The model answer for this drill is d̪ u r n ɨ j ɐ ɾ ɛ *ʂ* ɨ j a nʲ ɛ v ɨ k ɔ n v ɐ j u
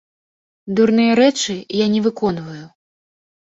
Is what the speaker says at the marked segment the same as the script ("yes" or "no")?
no